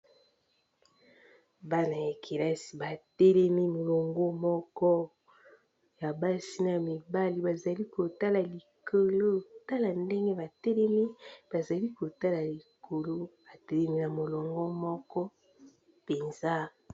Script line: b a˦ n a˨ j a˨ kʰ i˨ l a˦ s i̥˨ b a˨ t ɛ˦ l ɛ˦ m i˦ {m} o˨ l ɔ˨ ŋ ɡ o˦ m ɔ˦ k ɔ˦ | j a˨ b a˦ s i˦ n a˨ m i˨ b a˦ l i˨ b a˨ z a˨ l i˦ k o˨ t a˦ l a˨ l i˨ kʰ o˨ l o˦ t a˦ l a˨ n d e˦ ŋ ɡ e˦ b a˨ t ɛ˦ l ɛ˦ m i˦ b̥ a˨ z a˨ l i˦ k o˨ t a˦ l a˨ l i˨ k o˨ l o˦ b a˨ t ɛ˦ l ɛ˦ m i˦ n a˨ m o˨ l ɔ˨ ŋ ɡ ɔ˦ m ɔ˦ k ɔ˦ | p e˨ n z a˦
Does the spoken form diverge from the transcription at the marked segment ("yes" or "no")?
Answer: no